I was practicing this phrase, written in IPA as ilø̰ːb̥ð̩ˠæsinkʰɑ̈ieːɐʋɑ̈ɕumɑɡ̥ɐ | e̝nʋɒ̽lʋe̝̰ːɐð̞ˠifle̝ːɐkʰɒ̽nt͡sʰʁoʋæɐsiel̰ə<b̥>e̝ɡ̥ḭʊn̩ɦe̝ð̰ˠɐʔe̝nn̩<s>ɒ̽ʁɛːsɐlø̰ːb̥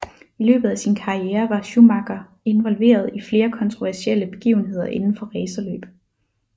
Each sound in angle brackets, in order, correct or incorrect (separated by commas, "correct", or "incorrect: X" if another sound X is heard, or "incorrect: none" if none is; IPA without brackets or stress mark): correct, incorrect: f